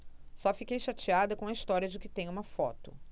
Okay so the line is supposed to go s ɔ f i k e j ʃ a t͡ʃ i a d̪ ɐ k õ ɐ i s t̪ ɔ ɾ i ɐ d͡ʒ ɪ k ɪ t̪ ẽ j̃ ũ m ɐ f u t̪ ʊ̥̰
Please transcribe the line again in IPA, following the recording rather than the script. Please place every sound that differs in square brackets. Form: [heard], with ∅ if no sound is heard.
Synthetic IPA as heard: s ɔ f i k e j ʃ a t͡ʃ i a d̪ ɐ k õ ɐ i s t̪ ɔ ɾ i ɐ d͡ʒ ɪ k ɪ t̪ ẽ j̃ ũ m ɐ f [ɔ] t̪ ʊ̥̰